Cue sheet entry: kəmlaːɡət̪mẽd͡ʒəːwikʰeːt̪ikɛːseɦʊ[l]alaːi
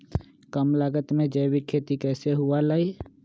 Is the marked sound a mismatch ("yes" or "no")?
yes